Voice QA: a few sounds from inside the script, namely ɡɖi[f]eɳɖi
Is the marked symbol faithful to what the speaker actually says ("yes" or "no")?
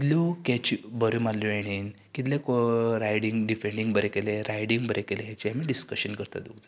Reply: yes